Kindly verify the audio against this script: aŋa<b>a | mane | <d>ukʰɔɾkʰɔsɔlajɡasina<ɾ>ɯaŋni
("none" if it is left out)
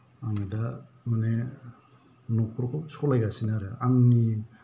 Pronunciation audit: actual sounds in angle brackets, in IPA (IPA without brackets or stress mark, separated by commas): d, n, ɾ